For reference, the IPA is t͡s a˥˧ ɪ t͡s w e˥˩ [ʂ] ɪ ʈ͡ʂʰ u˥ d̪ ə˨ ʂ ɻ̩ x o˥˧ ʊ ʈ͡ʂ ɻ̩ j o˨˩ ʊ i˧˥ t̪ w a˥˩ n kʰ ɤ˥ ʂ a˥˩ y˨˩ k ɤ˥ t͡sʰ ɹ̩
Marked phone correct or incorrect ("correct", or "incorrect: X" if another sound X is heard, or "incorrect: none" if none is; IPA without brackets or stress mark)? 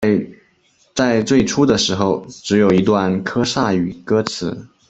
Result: incorrect: none